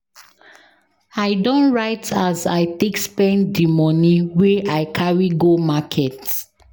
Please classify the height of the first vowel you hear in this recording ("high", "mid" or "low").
low